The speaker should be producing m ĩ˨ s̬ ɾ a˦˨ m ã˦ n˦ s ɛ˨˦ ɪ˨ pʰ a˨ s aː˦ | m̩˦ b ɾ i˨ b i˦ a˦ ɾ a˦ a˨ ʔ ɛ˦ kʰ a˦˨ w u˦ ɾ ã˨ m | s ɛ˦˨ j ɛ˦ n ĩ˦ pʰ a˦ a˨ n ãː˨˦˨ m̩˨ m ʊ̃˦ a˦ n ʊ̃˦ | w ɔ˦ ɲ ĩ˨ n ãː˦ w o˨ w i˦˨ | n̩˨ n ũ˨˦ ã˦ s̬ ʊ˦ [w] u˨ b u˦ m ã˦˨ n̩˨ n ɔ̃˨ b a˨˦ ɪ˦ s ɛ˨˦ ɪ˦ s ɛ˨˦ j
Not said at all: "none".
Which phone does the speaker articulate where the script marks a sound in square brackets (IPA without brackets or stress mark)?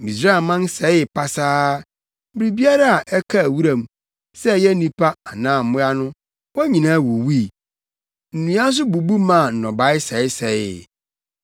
b